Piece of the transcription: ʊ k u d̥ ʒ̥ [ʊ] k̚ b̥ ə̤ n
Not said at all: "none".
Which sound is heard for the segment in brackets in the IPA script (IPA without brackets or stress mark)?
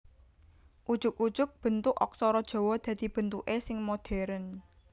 ʊ